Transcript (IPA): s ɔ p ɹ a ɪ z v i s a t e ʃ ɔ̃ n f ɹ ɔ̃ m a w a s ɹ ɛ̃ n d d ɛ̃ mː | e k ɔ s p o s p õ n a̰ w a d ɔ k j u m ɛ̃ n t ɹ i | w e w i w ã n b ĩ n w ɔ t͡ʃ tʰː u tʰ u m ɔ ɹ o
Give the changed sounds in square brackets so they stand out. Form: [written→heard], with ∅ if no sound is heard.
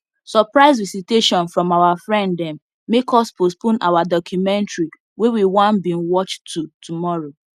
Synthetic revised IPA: s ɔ p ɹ a ɪ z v i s [a→i] t e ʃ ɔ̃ n f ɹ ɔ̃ m a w a [s→f] ɹ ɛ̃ n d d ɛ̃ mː | e k ɔ s p o s p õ n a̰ w a d ɔ k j u m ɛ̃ n t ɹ i | w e w i w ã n b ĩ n w ɔ t͡ʃ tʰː u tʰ u m ɔ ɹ o